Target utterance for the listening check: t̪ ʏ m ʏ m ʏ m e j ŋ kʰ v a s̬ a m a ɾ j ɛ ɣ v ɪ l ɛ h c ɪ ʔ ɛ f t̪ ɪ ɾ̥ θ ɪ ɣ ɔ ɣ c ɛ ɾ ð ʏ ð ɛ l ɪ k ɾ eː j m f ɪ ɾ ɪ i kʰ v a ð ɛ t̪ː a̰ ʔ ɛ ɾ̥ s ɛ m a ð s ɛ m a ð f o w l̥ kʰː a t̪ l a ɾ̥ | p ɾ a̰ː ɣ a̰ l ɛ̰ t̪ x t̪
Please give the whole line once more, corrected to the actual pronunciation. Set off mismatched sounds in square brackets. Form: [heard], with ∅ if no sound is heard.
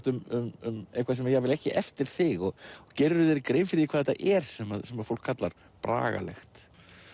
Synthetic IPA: t̪ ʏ m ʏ m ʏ m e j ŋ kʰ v a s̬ [ɛ] m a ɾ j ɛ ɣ v ɪ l ɛ h c ɪ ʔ ɛ f t̪ ɪ ɾ̥ θ ɪ ɣ ɔ ɣ c ɛ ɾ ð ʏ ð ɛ [ɾ] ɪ k ɾ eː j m f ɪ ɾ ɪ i kʰ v a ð ɛ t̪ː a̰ ʔ ɛ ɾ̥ s ɛ m a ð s ɛ m a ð f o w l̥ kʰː a t̪ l a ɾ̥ | p ɾ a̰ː ɣ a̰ l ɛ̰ [∅] x t̪